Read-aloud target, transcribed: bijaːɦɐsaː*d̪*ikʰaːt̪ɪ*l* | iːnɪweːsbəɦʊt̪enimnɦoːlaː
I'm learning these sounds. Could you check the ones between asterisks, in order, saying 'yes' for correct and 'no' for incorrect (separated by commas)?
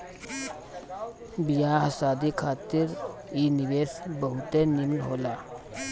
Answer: yes, no